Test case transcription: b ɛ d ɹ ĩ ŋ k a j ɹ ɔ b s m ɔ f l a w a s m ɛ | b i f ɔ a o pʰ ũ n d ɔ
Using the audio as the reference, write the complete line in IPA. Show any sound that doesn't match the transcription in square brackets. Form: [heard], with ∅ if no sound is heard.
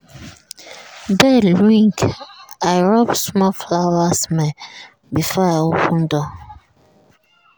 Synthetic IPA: b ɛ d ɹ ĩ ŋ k a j ɹ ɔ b s m ɔ f l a w a s m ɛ | b i f ɔ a o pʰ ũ n d ɔ